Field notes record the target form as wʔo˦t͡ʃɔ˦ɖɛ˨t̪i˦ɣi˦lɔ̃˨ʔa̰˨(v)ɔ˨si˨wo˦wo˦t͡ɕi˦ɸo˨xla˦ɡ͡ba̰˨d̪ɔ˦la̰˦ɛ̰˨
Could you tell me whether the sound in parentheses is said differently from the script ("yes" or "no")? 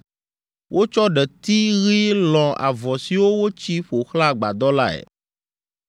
no